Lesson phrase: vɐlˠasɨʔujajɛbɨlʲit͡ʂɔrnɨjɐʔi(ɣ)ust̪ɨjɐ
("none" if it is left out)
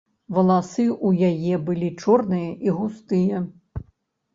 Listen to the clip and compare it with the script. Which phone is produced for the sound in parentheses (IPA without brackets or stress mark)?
ɣ